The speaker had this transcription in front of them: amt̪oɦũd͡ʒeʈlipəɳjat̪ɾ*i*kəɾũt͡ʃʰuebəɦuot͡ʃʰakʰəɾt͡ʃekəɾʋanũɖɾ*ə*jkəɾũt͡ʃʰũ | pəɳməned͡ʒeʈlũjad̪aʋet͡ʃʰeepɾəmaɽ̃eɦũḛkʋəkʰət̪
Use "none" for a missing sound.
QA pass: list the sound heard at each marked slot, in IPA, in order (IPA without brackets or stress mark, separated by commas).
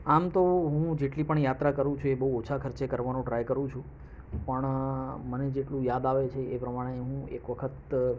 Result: a, a